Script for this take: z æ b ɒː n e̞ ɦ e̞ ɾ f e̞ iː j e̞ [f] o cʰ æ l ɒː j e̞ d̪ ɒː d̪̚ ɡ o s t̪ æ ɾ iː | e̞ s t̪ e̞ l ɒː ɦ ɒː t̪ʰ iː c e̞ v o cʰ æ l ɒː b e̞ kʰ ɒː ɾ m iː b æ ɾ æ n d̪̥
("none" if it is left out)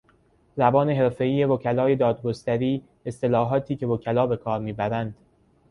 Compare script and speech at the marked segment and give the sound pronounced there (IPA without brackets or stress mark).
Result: v